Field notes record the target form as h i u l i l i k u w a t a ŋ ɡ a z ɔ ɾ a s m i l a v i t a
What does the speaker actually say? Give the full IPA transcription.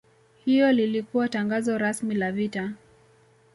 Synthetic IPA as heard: h i ɔ l i l i k u w a t a ŋ ɡ a z ɔ ɾ a s m i l a v i t a